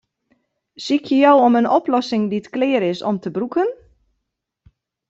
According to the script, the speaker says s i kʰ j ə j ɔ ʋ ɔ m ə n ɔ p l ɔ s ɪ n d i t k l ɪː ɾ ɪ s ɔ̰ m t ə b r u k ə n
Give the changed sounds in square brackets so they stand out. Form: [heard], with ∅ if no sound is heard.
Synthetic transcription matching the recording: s i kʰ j ə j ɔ [w] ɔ m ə n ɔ p l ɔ s ɪ [ŋ] d i t k l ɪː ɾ ɪ s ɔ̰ m t ə b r u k ə n